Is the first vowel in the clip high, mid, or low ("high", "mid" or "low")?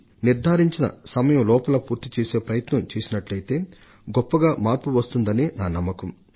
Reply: high